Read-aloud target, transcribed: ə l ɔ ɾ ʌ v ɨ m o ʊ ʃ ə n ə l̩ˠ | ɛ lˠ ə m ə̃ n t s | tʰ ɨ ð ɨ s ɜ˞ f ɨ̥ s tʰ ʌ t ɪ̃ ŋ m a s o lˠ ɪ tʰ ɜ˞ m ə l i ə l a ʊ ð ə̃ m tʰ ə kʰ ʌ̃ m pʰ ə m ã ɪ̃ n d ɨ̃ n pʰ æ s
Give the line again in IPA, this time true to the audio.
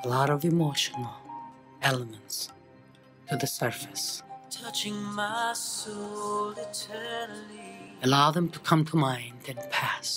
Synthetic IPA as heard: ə l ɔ ɾ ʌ v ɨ m o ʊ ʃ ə n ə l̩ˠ | ɛ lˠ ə m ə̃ n t s | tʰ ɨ ð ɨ s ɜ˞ f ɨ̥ s tʰ ʌ t͡ʃ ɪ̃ ŋ m a s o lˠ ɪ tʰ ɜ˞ n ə l i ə l a ʊ ð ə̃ m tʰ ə kʰ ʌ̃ m tʰ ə m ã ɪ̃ n d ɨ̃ n pʰ æ s

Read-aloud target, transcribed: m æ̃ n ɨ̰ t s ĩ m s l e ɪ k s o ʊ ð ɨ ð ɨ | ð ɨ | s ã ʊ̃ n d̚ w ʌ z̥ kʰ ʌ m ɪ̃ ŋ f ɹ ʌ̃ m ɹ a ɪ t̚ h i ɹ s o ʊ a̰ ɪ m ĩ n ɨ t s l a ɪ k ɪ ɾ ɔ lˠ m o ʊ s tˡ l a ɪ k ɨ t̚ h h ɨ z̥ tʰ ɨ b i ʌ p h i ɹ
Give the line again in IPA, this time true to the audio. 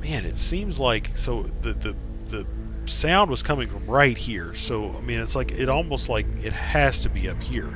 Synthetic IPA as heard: m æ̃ n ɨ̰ t s ĩ m z l a ɪ k s o ʊ ð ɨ ð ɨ | ð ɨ | s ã ʊ̃ n d̚ w ʌ z̥ kʰ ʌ m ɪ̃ ŋ f ɹ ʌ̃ m ɹ a ɪ t̚ h i ɹ s o ʊ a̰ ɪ m ĩ n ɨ t s l a ɪ k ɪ ɾ ɔ lˠ m o ʊ s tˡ l a ɪ k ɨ t̚ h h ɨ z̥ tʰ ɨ b i ʌ p h i ɹ

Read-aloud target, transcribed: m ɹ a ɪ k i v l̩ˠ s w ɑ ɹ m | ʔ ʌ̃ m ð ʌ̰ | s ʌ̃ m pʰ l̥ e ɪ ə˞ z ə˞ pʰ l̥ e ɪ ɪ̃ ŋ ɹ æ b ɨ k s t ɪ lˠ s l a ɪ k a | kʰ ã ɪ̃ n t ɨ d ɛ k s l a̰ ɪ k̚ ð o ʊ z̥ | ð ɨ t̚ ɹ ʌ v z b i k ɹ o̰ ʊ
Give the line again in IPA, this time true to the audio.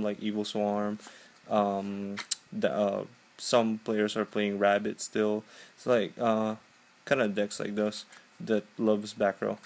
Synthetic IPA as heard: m l a ɪ k i v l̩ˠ s w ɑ ɹ m | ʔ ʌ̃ m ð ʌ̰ | s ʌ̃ m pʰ l̥ e ɪ ə˞ z ə˞ pʰ l̥ e ɪ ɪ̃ ŋ ɹ æ b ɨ t s t ɪ lˠ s l a ɪ k ʌ | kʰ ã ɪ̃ n d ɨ d ɛ k s l a̰ ɪ k̚ ð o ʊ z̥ | ð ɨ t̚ l ʌ v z b æ k ɹ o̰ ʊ

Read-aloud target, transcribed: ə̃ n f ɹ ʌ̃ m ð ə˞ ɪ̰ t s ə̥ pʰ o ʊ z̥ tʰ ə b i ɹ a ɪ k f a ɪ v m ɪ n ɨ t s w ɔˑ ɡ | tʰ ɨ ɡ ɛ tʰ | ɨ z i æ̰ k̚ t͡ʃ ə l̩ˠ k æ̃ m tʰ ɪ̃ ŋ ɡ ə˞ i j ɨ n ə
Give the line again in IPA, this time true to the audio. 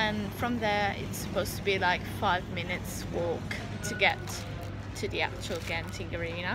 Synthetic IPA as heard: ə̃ n f ɹ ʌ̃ m ð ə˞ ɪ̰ t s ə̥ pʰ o ʊ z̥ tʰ ə b i l a ɪ k f a ɪ v m ɪ n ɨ t s w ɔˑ k | tʰ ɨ ɡ ɛ tʰ | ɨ ð i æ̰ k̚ t͡ʃ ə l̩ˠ ɡ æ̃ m tʰ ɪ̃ ŋ ɡ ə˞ i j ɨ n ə

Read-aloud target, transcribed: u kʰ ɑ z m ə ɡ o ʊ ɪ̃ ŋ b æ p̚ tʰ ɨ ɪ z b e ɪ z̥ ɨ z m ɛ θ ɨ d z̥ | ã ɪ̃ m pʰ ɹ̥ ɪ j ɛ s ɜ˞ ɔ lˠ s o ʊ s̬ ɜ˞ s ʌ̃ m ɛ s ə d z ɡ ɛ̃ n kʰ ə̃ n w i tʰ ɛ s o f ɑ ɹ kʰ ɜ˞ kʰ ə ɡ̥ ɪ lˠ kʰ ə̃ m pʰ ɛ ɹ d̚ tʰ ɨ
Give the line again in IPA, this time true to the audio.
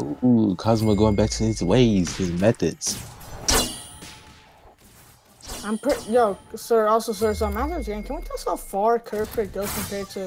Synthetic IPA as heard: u kʰ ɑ z m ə ɡ o ʊ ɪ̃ ŋ b æ k̚ tʰ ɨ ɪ z w e ɪ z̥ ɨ z m ɛ θ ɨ d z̥ | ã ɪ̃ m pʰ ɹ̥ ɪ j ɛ s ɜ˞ ɔ lˠ s o ʊ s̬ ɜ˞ s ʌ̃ m ɛ θ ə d z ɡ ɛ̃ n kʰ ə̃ n w i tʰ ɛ s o f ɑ ɹ kʰ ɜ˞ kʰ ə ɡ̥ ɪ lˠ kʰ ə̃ m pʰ ɛ ɹ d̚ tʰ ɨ

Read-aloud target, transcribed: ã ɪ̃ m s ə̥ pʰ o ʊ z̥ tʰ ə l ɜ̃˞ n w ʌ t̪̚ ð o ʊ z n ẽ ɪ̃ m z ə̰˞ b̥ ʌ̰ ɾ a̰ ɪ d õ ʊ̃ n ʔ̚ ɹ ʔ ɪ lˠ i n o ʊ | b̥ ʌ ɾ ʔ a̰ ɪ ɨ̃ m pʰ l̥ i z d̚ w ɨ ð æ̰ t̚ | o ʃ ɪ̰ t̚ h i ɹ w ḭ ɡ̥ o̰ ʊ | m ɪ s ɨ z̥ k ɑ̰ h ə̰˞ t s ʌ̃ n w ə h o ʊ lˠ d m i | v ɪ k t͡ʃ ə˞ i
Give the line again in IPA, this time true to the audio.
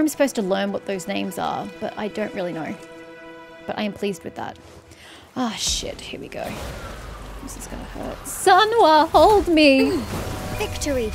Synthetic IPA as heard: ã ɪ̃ m s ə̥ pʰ o ʊ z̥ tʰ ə l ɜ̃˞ n w ʌ t̪̚ ð o ʊ z n ẽ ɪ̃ m z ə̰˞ b̥ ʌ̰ ɾ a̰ ɪ d õ ʊ̃ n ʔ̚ ɹ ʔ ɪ lˠ i n o ʊ | b̥ ʌ ɾ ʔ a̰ ɪ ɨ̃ m pʰ l̥ i z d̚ w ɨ ð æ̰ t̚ | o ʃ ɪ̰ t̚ h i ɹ w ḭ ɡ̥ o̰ ʊ | m ɪ s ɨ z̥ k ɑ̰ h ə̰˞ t s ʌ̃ n w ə h o ʊ lˠ d m i | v ɪ k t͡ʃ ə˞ i

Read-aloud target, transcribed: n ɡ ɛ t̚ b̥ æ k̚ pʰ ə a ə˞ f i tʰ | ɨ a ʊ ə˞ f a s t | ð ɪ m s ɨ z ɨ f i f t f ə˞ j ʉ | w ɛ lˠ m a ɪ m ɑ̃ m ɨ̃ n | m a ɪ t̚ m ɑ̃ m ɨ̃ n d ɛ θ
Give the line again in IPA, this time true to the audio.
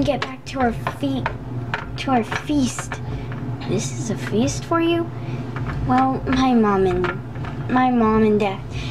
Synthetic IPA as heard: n ɡ ɛ t̚ b̥ æ k̚ tʰ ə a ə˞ f i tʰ | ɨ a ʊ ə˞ f i s t | ð ɪ s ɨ z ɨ f i s t f ə˞ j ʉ | w ɛ lˠ m a ɪ m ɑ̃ m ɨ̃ n | m a ɪ m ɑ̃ m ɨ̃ n d ɛ θ

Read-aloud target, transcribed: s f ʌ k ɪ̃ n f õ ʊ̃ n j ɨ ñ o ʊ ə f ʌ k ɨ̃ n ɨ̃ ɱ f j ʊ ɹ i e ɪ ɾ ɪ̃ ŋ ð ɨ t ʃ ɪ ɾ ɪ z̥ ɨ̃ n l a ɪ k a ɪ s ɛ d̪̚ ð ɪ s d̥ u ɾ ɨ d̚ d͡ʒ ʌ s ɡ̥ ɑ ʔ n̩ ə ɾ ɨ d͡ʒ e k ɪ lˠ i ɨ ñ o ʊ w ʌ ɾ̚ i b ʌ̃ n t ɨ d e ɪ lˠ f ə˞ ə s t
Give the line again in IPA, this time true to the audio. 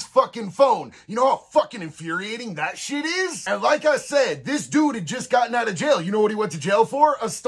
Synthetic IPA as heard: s f ʌ k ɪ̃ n f õ ʊ̃ n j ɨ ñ o ʊ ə f ʌ k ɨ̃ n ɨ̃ ɱ f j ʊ ɹ i e ɪ ɾ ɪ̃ ŋ ð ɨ t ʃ ɪ ɾ ɪ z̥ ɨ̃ n l a ɪ k a ɪ s ɛ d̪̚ ð ɪ s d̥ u ɾ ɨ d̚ d͡ʒ ʌ s ɡ̥ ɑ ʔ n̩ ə ɾ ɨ d͡ʒ e ɪ lˠ j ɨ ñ o ʊ w ʌ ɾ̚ i w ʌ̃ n t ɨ d͡ʒ e ɪ lˠ f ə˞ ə s t

